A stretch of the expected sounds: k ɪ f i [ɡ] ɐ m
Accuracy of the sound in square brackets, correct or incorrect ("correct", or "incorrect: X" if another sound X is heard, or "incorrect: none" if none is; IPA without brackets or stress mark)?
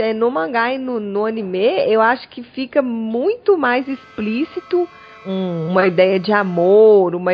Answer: incorrect: k